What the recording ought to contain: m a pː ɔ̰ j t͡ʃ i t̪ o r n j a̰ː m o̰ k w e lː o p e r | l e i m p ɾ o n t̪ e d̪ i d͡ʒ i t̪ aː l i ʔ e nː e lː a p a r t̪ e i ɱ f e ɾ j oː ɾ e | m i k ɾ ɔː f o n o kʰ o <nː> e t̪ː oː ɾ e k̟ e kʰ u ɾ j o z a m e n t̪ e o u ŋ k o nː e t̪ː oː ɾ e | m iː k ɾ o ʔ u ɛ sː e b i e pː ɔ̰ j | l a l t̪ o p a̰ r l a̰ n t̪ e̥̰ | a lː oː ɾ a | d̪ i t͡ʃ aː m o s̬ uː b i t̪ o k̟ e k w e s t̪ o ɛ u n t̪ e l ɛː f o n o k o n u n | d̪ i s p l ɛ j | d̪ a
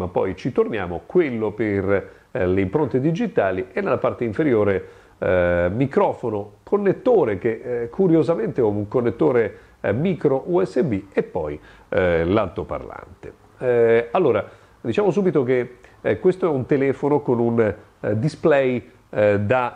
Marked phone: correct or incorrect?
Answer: correct